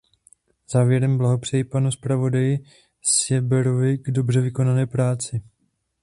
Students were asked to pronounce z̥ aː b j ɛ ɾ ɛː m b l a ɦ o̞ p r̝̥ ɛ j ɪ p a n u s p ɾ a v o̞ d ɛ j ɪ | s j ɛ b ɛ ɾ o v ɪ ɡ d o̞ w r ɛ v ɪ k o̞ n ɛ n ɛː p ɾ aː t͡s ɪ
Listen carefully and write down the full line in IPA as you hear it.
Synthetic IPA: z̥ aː v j ɛ ɾ ɛ m b l a ɦ o̞ p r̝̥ ɛ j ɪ p a n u s p ɾ a v o̞ d a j ɪ | s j ɛ b ɛ ɾ o v ɪ ɡ d o̞ b r ɛ v ɪ k o̞ n a n ɛː p ɾ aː t͡s ɪ